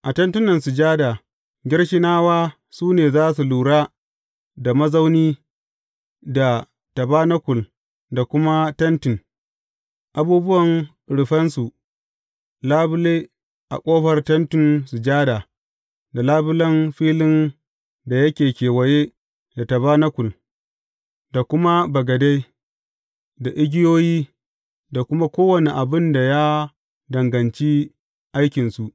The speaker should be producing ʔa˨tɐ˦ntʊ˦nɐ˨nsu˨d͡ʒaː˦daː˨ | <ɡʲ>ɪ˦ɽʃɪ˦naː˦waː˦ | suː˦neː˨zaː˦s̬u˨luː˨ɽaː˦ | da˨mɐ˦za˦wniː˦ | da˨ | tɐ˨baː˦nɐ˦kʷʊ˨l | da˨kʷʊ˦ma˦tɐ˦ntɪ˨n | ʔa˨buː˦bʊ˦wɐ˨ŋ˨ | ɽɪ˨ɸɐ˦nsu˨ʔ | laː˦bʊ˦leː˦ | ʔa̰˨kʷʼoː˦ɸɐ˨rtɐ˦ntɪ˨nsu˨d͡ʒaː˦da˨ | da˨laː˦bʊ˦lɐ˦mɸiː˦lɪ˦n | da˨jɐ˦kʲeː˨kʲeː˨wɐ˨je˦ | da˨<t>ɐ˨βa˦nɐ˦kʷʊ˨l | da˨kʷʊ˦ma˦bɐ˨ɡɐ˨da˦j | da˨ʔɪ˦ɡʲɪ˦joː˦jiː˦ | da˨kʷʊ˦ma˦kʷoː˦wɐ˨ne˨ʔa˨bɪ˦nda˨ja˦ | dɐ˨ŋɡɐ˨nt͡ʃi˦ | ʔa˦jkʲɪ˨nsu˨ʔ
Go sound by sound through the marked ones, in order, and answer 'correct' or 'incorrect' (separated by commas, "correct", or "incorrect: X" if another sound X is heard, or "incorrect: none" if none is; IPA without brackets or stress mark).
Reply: correct, correct